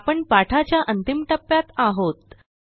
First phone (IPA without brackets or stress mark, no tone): p